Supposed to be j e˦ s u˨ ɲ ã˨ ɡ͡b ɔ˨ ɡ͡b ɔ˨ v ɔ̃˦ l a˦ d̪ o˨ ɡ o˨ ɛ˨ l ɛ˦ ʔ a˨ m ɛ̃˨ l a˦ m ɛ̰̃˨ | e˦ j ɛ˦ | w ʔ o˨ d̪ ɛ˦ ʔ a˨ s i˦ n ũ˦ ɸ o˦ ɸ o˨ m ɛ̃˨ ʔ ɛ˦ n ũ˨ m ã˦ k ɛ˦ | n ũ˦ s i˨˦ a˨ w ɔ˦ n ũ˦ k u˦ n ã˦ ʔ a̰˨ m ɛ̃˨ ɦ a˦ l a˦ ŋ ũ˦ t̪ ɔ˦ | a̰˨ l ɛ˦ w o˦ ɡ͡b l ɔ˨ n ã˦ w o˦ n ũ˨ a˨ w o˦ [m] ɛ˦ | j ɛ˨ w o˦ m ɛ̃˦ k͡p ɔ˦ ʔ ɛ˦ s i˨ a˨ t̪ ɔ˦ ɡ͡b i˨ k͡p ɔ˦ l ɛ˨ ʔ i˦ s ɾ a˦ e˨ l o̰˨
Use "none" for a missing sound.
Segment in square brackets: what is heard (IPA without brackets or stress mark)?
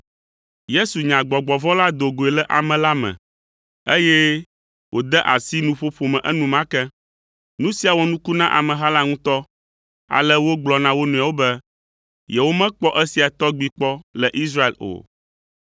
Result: b